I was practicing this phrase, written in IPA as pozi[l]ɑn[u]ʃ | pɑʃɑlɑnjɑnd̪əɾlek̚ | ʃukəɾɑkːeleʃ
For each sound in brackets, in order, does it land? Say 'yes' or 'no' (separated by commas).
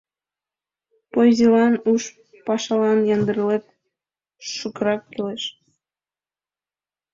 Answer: yes, yes